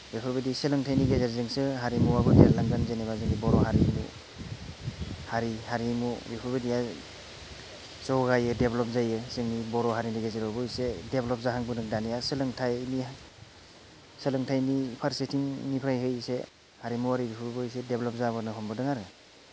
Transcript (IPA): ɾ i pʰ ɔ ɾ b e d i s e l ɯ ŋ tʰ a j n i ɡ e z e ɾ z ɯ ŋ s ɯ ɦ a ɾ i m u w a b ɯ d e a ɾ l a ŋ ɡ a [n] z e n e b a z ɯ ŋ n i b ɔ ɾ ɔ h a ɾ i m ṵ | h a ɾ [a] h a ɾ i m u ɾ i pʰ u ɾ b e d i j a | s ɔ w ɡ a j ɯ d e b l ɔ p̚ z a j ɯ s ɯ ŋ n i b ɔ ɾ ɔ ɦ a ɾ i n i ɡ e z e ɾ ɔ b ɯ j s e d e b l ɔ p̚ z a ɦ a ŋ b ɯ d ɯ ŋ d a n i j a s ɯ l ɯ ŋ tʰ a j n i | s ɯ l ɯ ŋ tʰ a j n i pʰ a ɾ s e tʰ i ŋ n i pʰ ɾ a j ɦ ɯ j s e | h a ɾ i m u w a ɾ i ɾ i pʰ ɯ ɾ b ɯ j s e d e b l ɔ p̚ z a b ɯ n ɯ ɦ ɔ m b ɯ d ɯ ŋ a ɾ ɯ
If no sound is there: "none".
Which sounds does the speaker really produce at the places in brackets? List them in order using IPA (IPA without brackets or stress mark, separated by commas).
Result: n, i